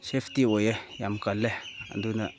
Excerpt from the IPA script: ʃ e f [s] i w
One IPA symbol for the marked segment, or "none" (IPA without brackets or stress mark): t